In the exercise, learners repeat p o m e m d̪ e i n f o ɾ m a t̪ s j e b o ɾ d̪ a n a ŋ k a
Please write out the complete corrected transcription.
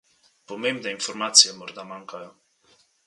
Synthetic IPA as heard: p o m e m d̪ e i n f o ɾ m a t̪ s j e m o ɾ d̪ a m a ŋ k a